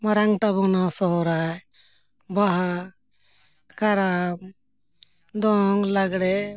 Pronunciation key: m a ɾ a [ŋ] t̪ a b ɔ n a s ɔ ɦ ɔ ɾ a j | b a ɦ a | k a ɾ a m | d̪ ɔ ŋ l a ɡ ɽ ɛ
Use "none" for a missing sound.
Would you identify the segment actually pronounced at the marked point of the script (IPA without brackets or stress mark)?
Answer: ŋ